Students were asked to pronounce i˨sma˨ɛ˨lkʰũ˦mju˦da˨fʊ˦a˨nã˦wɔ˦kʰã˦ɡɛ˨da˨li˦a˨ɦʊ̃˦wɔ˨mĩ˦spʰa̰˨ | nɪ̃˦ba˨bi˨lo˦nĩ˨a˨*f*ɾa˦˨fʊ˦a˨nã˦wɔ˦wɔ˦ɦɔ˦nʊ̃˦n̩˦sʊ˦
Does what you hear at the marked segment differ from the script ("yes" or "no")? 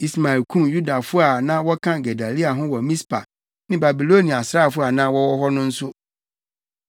yes